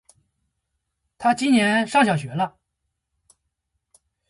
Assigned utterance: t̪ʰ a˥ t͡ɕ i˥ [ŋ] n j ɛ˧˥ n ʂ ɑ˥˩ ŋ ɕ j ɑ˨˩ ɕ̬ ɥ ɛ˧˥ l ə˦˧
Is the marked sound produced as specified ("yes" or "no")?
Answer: no